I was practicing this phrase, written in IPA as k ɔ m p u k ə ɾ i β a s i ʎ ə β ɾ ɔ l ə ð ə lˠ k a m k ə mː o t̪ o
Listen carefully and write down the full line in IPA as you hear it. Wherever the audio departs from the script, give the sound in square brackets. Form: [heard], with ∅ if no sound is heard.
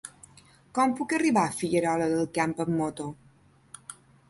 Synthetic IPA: k ɔ m p u k ə [r] i β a [f] i ʎ ə [∅] ɾ ɔ l ə ð ə lˠ k a m [p] ə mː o t̪ o